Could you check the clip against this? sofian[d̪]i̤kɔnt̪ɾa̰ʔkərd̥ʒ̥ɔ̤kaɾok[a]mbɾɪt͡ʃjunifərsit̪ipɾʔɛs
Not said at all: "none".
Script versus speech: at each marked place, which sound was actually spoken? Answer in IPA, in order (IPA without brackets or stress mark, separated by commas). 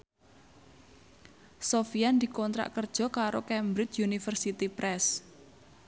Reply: d̪, ɛ